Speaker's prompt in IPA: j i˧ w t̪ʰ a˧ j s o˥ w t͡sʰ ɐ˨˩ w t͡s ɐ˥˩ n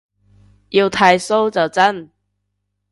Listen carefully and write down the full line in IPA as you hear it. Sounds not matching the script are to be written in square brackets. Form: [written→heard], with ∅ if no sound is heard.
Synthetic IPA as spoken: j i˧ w t̪ʰ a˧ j s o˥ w [t͡sʰ→t͡s] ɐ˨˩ w t͡s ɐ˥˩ n